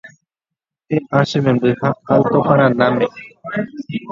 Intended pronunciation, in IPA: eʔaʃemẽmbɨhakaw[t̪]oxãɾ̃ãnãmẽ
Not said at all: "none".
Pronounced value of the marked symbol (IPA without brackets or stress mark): t̪